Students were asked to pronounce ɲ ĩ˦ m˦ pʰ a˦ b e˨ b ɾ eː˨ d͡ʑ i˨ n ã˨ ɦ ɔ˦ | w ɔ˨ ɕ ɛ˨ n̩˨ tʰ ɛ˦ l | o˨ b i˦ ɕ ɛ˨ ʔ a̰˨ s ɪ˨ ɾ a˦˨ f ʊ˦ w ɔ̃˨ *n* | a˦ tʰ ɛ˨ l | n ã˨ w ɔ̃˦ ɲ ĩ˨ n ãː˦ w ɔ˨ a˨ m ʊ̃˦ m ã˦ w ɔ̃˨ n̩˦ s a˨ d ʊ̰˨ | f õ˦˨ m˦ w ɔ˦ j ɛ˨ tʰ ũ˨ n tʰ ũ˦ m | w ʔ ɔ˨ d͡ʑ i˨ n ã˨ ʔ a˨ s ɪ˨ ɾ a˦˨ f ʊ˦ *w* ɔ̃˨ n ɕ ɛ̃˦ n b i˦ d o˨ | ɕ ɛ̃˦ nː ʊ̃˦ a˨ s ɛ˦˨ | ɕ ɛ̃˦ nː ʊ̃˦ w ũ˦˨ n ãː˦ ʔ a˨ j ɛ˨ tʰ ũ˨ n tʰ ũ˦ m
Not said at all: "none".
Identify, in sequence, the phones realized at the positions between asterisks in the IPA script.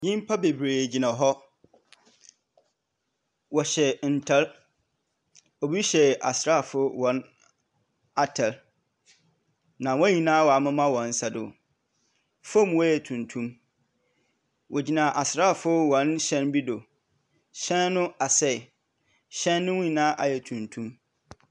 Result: n, w

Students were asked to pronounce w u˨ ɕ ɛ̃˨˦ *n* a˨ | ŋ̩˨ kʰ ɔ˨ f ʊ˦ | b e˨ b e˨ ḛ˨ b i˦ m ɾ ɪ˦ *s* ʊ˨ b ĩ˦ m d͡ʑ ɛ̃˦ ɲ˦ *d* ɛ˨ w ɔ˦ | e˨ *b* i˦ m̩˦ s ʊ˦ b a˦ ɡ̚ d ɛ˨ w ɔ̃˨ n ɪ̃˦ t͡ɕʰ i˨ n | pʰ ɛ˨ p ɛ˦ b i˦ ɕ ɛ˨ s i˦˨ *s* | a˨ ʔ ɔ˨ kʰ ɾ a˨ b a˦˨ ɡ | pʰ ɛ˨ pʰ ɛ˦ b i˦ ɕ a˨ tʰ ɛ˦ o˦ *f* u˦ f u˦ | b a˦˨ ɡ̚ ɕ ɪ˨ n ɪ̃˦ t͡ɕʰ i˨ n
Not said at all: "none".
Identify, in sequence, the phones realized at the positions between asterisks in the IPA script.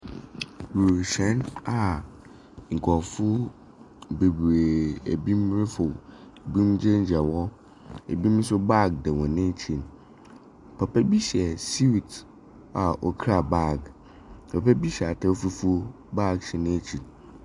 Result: n, f, d͡ʑ, b, t, f

